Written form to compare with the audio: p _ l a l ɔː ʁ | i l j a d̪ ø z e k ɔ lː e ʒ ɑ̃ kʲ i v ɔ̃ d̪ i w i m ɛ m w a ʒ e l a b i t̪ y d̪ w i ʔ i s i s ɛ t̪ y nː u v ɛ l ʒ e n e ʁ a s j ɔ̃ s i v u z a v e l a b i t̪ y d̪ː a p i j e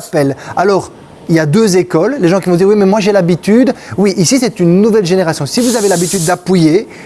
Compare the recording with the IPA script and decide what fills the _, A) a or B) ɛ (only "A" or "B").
B